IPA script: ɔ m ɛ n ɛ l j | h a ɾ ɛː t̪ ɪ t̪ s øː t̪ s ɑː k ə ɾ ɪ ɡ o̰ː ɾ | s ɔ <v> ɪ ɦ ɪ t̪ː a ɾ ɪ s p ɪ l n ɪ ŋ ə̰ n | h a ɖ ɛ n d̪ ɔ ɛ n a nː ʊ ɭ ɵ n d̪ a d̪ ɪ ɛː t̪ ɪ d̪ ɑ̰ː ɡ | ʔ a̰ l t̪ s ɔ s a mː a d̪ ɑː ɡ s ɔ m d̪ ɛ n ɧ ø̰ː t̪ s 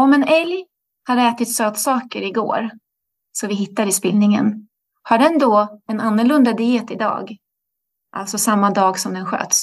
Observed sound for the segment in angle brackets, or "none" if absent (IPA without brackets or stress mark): v